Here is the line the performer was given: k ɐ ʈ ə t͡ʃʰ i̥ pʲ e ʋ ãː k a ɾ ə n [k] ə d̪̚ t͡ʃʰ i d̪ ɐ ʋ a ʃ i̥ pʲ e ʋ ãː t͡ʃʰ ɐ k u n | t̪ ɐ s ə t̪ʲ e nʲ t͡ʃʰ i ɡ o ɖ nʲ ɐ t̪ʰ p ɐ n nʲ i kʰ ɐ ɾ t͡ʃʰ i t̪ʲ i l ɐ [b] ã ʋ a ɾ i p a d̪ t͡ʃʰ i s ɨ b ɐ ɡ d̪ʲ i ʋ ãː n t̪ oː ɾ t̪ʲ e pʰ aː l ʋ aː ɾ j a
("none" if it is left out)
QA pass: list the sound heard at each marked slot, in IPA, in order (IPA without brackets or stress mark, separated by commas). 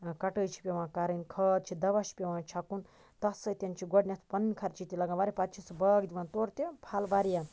kʰ, ɡ